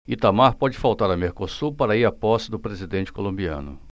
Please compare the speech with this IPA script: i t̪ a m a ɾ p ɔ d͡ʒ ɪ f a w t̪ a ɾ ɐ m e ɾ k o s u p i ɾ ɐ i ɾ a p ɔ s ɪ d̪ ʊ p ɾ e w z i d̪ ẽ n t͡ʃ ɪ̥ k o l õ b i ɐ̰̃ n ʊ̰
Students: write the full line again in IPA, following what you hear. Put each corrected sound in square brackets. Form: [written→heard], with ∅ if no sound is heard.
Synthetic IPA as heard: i t̪ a m a ɾ p ɔ d͡ʒ ɪ f a w t̪ a ɾ ɐ m e ɾ k o s u p [i→a] ɾ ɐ i ɾ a p ɔ s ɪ d̪ ʊ p ɾ e [w→∅] z i d̪ ẽ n t͡ʃ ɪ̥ k o l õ b i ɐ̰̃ n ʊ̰